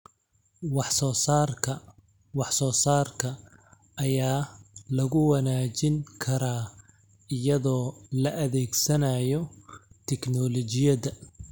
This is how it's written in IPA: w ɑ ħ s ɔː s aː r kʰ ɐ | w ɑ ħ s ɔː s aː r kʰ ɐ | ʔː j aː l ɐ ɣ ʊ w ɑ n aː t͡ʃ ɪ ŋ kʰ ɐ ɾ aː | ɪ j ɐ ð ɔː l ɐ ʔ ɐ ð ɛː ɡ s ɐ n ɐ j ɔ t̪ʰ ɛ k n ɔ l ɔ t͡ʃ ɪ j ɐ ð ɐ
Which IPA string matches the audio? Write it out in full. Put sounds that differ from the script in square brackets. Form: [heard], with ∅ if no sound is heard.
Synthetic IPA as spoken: w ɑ ħ s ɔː s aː r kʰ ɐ | w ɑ ħ s ɔː s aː r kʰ ɐ | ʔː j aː l ɐ ɣ ʊ w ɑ n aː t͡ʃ ɪ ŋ kʰ ɐ ɾ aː | ɪ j ɐ ð ɔː l ɐ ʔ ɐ ð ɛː ɡ s ɐ n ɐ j ɔ t̪ʰ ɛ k n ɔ l ɔ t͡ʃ ɪ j ɐ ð ɐ